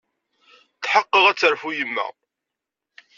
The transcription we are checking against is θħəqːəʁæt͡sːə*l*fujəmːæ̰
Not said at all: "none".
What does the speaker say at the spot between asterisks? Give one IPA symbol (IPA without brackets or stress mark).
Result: ɾ